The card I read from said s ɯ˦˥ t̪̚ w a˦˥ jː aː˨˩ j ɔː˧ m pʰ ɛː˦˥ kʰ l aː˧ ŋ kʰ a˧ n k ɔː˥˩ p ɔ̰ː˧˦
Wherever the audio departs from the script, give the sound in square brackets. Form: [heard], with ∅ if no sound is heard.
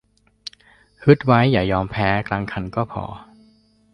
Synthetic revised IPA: [h] ɯ˦˥ t̪̚ w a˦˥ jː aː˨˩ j ɔː˧ m pʰ ɛː˦˥ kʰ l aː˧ ŋ kʰ a˧ n k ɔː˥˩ [pʰ] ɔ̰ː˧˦

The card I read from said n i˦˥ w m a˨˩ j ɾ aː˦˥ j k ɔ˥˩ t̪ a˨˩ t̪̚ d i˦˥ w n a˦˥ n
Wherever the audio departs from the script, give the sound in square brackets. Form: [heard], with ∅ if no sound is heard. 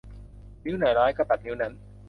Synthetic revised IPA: n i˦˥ w [n] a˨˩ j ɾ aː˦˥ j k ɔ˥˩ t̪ a˨˩ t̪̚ [n] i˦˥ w n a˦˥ n

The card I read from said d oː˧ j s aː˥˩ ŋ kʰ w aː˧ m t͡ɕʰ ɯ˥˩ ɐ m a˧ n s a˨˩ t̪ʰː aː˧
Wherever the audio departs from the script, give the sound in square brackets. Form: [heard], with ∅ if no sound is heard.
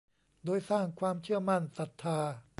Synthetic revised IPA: d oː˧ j s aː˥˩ ŋ kʰ w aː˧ m t͡ɕʰ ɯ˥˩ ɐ m [a˥˩] n s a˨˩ t̪ʰː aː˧

